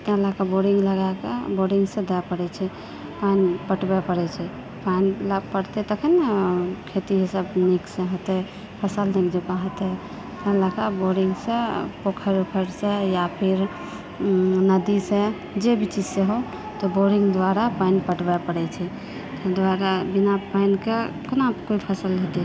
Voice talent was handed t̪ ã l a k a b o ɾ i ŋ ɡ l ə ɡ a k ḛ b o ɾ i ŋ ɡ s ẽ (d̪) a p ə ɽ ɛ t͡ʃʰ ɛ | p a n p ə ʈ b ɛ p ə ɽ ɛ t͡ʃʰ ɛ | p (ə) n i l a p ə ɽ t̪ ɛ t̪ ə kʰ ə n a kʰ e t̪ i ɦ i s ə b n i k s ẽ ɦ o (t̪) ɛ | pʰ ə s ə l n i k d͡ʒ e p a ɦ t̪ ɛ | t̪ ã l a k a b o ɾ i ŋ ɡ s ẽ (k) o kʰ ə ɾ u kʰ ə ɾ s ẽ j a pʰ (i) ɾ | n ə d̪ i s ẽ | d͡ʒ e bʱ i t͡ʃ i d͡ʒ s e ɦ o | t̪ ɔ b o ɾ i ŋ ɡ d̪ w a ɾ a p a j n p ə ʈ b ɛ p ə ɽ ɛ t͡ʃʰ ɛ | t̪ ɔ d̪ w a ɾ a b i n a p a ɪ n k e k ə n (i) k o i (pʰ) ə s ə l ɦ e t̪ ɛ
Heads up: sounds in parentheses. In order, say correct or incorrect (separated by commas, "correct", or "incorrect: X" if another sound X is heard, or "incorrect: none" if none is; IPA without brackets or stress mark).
correct, incorrect: a, correct, incorrect: p, correct, incorrect: a, correct